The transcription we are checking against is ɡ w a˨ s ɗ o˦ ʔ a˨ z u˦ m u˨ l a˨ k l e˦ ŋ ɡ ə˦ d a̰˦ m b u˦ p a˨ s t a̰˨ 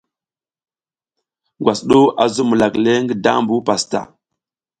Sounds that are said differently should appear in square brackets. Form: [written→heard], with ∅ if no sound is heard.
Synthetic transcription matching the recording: ɡ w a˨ s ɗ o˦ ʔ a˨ z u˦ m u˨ l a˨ k l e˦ ŋ ɡ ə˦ d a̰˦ m b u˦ p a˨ s t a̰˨